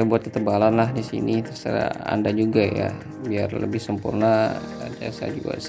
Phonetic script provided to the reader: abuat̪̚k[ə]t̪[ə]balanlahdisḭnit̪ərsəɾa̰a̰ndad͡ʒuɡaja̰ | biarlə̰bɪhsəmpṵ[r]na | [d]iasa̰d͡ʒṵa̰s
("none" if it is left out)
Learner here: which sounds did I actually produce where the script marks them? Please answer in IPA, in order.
ə, ə, r, d

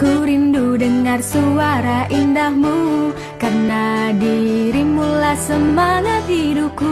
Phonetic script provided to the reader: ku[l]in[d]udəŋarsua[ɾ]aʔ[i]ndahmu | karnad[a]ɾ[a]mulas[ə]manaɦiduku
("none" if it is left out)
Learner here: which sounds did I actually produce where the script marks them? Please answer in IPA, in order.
ɾ, d, ɾ, i, i, i, ə

